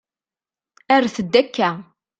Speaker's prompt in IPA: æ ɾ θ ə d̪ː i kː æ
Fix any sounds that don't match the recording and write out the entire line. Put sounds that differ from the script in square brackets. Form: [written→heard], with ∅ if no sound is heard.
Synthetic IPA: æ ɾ θ ə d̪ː [i→æ] kː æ

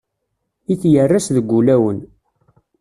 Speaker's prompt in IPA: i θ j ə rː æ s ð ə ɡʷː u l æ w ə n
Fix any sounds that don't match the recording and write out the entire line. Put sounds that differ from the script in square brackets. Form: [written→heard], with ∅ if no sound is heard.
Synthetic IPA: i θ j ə rː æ s ð ə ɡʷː u l æ w ə n

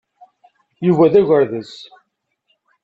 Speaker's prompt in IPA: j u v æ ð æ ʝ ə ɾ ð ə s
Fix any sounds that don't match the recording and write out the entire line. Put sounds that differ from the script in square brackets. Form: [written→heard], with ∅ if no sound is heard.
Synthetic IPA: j u v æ ð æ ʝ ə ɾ ð ə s

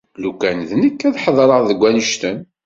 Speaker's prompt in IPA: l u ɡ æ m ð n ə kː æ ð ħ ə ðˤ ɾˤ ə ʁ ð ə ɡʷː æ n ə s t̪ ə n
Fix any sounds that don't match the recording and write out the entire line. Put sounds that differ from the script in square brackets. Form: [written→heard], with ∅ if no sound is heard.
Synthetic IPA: l u [ɡ→k] æ [m→n] ð n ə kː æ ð ħ ə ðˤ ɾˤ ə ʁ ð ə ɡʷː æ n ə [s→ʃ] t̪ ə n

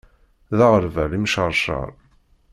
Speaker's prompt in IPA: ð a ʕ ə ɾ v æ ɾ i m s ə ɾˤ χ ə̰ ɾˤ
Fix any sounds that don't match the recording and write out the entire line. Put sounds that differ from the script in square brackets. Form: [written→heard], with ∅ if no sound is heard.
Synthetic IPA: ð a [ʕ→ʁ] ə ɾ v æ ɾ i m [s→ʃ] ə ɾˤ [χ→ʃ] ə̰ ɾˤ

